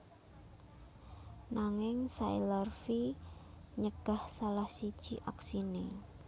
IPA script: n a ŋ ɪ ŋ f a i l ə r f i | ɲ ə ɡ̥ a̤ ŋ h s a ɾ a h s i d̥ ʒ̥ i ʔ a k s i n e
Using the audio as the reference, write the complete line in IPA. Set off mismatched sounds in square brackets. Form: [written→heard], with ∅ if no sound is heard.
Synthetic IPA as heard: n a ŋ ɪ ŋ [f→s] a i l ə r f i | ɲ ə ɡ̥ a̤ [ŋ→∅] h s a [ɾ→l] a h s i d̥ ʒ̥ i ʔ a k s i n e